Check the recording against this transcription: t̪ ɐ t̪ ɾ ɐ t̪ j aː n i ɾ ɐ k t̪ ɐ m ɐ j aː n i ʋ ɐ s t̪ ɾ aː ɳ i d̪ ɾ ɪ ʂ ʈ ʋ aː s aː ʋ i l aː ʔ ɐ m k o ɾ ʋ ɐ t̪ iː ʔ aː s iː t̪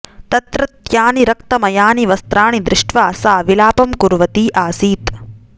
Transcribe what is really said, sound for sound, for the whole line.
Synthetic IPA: t̪ ɐ t̪ ɾ ɐ t̪ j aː n i ɾ ɐ k t̪ ɐ m ɐ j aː n i ʋ ɐ s t̪ ɾ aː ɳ i d̪ ɾ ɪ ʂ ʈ ʋ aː s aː ʋ i l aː p ɐ m k u ɾ ʋ ɐ t̪ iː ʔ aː s iː t̪